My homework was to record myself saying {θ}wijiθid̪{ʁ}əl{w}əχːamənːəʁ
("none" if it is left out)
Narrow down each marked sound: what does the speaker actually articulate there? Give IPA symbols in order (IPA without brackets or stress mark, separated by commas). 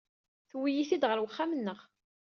θ, ʁ, w